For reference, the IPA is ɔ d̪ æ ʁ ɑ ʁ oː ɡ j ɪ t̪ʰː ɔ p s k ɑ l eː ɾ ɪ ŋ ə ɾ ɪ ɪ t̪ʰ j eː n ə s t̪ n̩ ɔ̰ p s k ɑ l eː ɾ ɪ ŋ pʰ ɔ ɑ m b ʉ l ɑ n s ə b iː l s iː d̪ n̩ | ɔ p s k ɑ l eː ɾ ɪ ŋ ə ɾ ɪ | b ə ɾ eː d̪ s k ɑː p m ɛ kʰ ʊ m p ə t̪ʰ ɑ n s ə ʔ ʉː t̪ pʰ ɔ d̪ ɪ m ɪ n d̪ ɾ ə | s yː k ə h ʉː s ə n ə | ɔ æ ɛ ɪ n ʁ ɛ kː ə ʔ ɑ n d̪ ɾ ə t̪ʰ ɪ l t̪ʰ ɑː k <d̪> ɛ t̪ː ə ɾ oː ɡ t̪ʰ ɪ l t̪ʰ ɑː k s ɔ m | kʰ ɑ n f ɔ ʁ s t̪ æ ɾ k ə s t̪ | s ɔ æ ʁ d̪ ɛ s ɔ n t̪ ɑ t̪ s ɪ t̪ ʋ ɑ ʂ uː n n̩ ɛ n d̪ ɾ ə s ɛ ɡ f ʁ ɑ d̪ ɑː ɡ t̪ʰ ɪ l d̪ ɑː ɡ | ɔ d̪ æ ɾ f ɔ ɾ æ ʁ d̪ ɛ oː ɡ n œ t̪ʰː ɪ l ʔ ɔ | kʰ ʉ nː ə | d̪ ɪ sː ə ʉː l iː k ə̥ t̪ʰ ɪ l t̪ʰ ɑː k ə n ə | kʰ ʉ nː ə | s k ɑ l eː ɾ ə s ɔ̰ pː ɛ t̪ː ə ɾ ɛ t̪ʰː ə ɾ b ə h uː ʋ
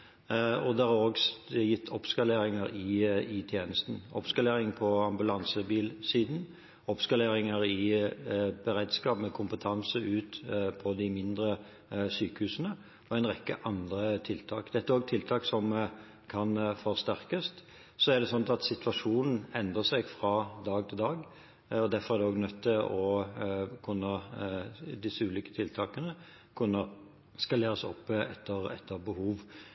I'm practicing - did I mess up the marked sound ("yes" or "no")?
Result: no